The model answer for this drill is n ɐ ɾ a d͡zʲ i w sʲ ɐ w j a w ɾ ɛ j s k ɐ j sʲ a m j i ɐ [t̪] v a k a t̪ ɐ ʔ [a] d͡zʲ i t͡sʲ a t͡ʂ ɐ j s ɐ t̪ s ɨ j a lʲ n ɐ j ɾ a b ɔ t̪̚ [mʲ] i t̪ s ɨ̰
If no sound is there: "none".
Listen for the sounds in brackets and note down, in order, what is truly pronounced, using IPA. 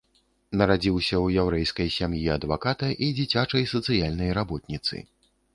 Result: d̪, i, nʲ

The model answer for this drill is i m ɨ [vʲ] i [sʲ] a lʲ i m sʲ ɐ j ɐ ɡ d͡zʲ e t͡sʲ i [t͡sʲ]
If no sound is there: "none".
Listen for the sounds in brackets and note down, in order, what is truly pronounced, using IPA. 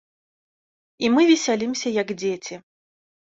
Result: vʲ, sʲ, none

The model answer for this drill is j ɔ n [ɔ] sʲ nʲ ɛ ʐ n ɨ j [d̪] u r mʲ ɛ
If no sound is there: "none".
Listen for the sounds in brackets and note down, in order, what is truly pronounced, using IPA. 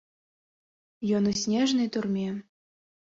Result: u, t̪

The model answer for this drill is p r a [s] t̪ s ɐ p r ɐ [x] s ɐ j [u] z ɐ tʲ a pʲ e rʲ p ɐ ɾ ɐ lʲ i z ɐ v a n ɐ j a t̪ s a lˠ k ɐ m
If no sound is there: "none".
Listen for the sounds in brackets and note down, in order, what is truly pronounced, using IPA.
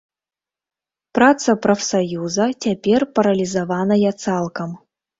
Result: none, f, u

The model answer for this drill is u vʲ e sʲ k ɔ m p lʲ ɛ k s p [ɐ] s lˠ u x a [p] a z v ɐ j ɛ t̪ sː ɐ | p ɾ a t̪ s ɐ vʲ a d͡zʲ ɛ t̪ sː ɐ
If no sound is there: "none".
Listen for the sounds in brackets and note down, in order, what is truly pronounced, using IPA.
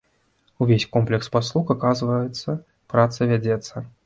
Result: a, k

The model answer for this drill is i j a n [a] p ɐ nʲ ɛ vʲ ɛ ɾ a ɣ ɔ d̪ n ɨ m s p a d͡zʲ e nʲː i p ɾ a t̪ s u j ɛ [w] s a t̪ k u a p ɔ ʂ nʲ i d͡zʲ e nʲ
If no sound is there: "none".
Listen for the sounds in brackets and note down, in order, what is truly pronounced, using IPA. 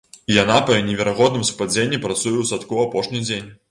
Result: a, w

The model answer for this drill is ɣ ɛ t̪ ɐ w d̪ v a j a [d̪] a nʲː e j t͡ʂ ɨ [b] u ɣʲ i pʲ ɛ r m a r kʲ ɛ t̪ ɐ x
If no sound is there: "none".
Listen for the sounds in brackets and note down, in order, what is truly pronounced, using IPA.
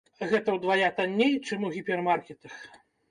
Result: t̪, m

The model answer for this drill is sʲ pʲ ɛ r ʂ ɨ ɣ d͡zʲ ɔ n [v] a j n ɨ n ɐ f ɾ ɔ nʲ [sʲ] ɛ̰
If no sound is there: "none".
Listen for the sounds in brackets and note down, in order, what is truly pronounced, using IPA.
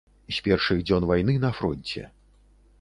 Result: v, t͡sʲ

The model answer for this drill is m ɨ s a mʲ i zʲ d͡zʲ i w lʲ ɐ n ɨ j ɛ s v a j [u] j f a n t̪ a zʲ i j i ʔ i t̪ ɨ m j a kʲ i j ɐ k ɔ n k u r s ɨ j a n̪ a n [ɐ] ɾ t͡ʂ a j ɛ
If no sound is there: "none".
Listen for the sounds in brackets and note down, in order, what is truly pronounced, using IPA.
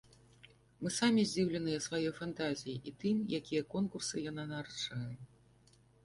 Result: ɔ, a

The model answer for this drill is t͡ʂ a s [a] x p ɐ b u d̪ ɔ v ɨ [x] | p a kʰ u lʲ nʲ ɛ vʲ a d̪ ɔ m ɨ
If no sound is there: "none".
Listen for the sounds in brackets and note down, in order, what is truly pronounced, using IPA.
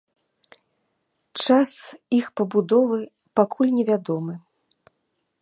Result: i, none

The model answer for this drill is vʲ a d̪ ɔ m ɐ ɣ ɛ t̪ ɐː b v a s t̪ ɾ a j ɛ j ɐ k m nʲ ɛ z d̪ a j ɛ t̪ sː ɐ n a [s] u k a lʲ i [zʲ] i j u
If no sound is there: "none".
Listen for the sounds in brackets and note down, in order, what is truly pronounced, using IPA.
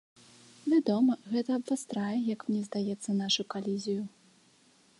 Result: ʂ, zʲ

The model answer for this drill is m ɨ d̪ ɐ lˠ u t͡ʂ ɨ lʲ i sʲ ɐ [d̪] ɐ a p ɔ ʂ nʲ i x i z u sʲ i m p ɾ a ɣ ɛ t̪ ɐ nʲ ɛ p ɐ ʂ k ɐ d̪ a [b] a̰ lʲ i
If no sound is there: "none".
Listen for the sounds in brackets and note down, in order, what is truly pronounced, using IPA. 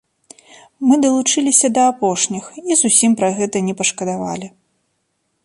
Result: d̪, v

